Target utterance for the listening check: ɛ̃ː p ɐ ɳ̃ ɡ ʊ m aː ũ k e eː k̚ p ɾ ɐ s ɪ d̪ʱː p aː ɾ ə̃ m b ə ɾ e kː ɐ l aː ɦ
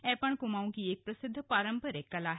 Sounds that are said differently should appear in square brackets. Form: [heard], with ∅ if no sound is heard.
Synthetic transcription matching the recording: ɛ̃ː p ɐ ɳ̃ [k] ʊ m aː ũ k [i] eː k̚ p ɾ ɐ s ɪ d̪ʱː p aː ɾ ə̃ m [p] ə ɾ e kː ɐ l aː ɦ